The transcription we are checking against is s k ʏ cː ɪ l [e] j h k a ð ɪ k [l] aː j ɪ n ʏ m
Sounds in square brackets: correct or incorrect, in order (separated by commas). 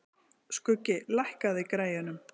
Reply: incorrect, incorrect